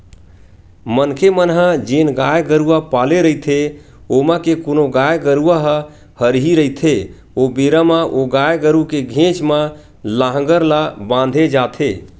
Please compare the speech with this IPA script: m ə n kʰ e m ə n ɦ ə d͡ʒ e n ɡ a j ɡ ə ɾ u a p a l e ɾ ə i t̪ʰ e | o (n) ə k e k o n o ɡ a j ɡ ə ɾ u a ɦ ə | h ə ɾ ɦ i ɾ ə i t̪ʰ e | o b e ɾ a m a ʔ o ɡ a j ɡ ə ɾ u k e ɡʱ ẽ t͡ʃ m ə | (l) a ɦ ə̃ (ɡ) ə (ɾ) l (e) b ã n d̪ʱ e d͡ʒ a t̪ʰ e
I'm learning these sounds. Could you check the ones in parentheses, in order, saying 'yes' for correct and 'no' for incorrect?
no, yes, yes, yes, no

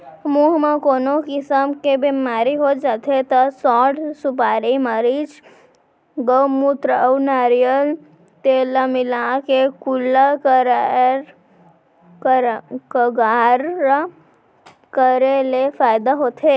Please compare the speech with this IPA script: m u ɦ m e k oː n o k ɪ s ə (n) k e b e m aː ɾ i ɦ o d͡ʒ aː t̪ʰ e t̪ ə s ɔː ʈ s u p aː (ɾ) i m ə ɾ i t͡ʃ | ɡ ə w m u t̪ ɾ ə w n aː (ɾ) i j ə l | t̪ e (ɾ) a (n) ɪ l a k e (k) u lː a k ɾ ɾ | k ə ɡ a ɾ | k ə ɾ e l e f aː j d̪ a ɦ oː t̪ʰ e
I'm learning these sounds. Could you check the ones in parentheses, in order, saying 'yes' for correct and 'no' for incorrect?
no, yes, yes, no, no, yes

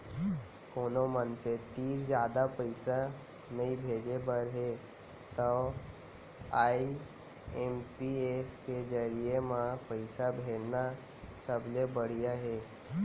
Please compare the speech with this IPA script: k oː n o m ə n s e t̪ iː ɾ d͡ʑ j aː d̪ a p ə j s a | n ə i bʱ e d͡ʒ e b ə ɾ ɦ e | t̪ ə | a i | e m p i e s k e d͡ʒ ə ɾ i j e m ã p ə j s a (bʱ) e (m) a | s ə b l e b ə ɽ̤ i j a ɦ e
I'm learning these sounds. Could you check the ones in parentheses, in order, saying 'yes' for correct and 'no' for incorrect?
yes, no

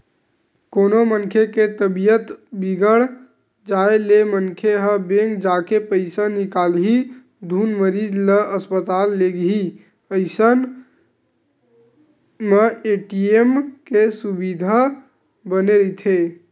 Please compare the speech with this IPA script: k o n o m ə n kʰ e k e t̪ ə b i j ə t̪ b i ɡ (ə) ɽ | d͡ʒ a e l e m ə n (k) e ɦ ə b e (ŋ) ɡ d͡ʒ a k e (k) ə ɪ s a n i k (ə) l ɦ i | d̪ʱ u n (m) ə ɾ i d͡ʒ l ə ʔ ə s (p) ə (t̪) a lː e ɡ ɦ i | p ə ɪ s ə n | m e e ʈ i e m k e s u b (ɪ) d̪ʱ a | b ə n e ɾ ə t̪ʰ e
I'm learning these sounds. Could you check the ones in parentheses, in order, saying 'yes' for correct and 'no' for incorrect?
yes, no, yes, no, no, yes, yes, yes, no

